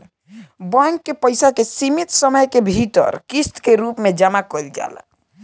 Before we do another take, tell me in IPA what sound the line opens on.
b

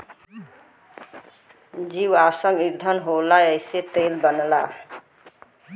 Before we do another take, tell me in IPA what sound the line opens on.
d͡ʒ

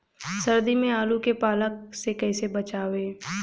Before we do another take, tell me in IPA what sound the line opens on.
s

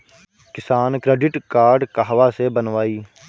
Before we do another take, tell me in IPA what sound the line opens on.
k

